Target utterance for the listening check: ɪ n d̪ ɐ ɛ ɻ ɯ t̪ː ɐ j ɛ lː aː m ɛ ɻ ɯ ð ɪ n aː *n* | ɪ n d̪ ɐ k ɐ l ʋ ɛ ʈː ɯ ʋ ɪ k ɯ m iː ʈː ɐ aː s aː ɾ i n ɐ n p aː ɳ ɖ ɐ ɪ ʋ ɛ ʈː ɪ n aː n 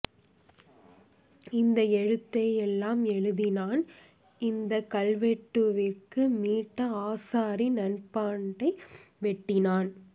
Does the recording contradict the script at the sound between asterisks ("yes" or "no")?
no